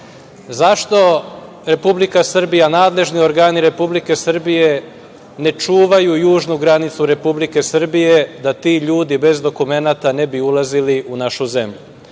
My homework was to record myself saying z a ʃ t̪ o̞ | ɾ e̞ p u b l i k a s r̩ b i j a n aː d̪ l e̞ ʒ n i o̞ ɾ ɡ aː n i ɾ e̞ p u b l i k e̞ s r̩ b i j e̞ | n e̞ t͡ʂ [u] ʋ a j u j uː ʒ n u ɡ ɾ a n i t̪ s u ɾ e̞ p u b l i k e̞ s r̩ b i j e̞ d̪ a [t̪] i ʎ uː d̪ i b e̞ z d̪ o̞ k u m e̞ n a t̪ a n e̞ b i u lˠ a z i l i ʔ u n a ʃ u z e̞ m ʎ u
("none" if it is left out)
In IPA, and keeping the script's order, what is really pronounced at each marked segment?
uː, t̪

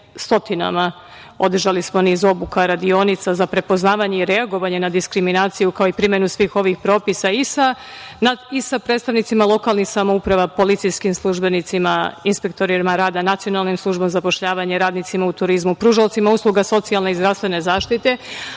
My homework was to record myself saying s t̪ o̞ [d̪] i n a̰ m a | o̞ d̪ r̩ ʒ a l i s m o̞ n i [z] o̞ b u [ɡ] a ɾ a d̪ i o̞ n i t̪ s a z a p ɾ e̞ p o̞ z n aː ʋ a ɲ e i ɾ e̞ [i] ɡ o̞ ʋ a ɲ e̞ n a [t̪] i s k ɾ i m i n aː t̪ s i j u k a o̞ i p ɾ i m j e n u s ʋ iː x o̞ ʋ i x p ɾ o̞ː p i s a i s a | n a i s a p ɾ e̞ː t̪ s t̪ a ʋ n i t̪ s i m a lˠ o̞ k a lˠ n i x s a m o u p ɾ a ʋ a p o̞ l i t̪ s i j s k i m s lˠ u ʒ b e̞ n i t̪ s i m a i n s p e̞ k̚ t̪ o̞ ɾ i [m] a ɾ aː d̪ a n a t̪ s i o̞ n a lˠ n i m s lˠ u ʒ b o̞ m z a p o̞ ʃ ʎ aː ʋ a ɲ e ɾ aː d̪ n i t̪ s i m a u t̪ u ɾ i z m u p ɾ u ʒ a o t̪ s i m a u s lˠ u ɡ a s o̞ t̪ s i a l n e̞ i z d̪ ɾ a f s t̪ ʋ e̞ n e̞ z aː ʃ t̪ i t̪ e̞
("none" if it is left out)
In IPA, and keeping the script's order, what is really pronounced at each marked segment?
t̪, z, k, a, d̪, m

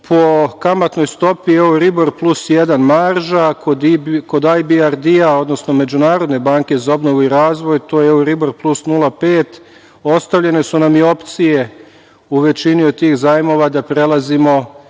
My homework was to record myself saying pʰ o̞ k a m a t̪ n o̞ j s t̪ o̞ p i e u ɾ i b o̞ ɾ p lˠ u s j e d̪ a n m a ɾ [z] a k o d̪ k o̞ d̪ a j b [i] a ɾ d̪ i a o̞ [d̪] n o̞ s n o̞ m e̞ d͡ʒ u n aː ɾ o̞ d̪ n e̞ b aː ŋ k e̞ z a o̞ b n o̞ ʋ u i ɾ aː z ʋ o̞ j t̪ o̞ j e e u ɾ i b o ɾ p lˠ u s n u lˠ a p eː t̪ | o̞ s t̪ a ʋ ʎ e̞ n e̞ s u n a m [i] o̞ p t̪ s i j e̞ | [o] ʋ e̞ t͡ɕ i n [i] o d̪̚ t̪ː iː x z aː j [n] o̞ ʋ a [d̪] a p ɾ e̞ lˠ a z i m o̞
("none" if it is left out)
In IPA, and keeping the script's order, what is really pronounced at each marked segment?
ʒ, i, d̪, i, u, i, m, d̪

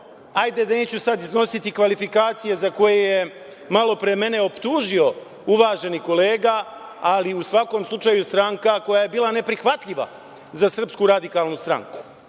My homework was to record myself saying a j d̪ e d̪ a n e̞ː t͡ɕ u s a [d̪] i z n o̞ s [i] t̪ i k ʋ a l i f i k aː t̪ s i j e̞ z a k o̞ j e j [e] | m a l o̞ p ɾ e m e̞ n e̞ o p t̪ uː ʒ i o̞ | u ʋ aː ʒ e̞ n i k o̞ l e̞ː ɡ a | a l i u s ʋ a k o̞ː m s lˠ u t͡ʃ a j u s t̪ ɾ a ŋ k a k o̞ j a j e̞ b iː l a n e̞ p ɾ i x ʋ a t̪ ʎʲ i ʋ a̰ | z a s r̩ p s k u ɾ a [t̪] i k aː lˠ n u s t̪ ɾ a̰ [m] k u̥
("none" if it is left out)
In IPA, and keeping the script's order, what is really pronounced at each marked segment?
d̪, i, e, d̪, ŋ

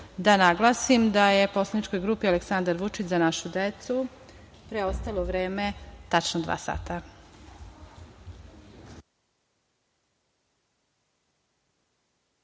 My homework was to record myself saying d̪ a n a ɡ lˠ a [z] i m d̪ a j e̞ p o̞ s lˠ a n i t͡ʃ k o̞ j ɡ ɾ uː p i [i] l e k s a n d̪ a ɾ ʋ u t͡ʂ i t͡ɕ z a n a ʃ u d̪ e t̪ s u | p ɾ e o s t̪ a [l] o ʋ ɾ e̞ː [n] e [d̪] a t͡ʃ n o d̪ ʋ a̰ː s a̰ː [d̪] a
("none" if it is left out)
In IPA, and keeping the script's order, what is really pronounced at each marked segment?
s, a, l, m, t̪, t̪

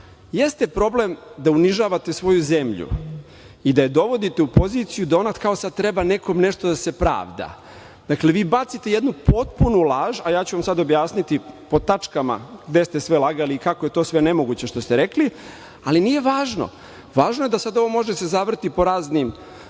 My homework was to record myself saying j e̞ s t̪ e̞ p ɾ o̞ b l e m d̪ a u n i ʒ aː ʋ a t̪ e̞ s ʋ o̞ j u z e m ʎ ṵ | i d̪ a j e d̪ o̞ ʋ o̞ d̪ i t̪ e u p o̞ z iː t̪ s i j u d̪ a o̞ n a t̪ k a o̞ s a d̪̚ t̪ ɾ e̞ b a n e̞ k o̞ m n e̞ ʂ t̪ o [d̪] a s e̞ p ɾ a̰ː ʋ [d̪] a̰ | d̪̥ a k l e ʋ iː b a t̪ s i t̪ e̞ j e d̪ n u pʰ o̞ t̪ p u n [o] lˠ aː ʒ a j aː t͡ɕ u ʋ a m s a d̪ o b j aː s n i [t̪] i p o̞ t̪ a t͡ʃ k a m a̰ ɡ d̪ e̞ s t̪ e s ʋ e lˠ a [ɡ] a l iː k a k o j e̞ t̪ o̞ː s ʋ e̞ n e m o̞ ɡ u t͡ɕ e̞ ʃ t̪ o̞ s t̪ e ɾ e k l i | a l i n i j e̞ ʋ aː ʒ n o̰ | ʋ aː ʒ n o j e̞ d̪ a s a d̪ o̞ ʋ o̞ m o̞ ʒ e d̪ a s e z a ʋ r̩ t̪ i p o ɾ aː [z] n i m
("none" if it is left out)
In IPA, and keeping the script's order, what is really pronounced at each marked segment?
d̪, d̪, u, t̪, ɡ, z

